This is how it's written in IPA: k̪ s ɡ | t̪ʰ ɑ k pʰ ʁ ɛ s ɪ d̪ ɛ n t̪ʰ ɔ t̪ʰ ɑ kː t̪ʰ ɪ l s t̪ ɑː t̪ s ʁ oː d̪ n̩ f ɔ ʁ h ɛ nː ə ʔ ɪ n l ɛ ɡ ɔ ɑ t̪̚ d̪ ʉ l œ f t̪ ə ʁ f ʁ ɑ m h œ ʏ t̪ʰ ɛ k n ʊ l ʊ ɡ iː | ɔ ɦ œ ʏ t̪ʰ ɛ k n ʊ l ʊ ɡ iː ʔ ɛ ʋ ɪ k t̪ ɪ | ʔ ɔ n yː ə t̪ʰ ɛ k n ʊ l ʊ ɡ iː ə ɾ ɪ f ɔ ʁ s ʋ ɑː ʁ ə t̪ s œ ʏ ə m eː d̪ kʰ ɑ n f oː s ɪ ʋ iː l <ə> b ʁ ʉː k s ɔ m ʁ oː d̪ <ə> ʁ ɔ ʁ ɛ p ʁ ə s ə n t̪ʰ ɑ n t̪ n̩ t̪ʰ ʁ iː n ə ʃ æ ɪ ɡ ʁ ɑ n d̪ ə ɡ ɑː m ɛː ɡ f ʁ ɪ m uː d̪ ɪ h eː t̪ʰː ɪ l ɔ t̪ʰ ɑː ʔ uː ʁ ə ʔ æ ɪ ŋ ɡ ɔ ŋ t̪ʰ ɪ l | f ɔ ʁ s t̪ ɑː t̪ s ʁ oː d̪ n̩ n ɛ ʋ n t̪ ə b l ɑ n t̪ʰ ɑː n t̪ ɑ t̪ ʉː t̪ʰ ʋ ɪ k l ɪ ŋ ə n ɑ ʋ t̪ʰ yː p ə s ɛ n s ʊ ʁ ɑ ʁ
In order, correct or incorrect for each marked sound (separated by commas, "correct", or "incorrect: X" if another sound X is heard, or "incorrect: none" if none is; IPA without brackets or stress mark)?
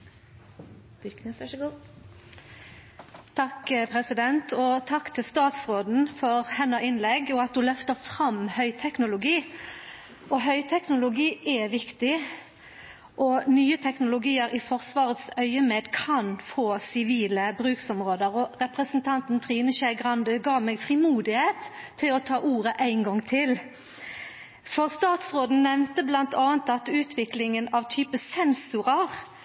correct, correct